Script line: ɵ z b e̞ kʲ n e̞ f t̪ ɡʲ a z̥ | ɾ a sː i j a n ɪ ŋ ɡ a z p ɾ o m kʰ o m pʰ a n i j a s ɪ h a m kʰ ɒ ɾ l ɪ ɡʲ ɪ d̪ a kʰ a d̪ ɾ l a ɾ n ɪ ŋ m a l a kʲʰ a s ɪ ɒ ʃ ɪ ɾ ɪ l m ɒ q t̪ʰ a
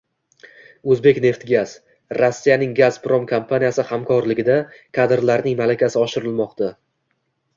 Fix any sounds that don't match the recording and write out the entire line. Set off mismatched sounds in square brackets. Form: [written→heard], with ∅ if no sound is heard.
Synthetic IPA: ɵ z b e̞ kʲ n e̞ f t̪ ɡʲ a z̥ | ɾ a sː i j a n ɪ ŋ ɡ a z p ɾ o m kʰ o m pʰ a n i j a s ɪ h a m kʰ ɒ ɾ l ɪ ɡʲ ɪ d̪ a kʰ a d̪ ɾ l a ɾ n ɪ ŋ m a l a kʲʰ a s ɪ ɒ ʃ ɪ ɾ ɪ l m ɒ q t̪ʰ a